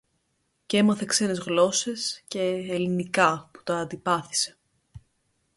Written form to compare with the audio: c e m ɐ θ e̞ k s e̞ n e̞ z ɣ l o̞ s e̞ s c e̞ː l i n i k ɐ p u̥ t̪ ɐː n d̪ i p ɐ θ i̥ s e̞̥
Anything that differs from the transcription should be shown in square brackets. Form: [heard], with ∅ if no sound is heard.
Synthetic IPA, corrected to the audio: c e m ɐ θ e̞ k s e̞ n e̞ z ɣ l o̞ s e̞ s c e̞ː l i n i k ɐ p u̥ t̪ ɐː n d̪ i p ɐ θ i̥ s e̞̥